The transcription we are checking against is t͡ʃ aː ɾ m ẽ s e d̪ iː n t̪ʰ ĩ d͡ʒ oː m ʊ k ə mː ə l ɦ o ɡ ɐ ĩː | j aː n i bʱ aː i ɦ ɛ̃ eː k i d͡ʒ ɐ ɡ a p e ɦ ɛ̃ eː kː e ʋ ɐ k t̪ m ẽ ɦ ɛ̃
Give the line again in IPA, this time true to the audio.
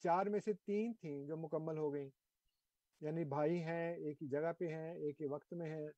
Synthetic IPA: t͡ʃ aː ɾ m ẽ s e t̪ iː n t̪ʰ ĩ d͡ʒ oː m ʊ k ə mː ə l ɦ o ɡ ɐ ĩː | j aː n i bʱ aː i ɦ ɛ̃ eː k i d͡ʒ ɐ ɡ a p e ɦ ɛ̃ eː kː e ʋ ɐ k t̪ m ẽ ɦ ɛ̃